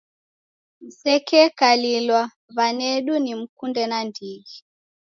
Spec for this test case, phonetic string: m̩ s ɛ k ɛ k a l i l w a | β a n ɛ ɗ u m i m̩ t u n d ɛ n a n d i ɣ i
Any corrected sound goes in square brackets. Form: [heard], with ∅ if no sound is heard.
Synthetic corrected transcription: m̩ s ɛ k ɛ k a l i l w a | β a n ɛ ɗ u [n] i m̩ [k] u n d ɛ n a n d i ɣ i